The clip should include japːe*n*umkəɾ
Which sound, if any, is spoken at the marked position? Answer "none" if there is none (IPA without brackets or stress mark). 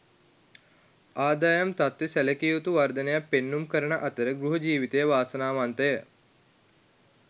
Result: nː